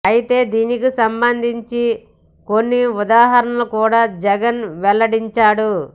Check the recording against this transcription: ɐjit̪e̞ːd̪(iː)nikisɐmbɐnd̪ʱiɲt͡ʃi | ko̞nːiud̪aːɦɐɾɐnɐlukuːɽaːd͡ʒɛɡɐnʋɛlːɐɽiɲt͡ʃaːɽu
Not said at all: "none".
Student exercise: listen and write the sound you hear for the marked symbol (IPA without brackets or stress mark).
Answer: iː